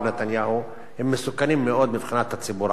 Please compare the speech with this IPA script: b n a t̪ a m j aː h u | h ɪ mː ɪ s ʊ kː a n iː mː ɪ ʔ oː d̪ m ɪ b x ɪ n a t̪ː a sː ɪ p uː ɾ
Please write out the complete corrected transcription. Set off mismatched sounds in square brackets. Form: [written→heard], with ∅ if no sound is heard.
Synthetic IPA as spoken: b n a t̪ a [m→n] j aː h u | h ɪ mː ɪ s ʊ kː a n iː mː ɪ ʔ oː d̪ m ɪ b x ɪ n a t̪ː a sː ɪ [p→b] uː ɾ